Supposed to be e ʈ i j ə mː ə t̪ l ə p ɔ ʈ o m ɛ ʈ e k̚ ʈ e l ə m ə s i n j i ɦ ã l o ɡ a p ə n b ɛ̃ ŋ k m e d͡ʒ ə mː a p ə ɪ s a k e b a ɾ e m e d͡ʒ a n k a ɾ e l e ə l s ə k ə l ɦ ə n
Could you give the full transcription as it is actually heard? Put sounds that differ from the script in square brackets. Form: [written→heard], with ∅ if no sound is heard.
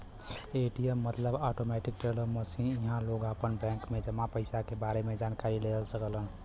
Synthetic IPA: e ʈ i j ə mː ə t̪ l ə [p→b] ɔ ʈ o m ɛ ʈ [e→i] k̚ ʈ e l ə m ə s i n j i ɦ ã l o ɡ a p ə n b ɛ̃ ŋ k m e d͡ʒ ə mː a p ə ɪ s a k e b a ɾ e m e d͡ʒ a n k a ɾ [e→i] l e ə l s ə k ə l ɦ ə n